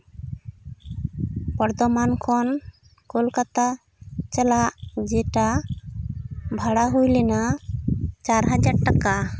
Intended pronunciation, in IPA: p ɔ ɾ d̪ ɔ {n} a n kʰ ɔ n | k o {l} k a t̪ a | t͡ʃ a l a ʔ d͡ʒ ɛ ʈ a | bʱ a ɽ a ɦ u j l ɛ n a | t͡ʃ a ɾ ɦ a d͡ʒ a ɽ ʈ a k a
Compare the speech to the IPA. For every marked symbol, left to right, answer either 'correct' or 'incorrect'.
incorrect, correct

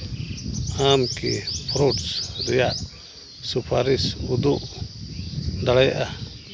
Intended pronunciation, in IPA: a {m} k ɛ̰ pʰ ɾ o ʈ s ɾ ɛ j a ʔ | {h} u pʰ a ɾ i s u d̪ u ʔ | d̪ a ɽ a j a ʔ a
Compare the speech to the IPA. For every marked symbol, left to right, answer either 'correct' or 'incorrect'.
correct, incorrect

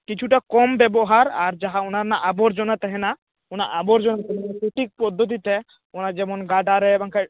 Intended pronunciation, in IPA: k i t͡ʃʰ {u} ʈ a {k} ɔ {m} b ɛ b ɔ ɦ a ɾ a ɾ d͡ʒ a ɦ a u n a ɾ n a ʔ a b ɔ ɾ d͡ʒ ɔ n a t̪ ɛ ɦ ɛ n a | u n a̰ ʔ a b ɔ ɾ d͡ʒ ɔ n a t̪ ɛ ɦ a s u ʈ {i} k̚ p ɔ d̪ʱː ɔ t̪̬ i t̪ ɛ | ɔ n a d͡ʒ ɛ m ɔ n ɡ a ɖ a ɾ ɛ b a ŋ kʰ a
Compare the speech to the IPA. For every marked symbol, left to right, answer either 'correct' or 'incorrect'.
correct, correct, correct, correct

